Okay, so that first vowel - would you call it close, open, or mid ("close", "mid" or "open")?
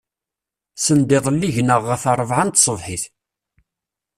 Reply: mid